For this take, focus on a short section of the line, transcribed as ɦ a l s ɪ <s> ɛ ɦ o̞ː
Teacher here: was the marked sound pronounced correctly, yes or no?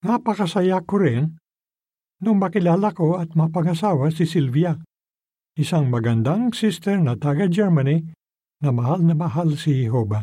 no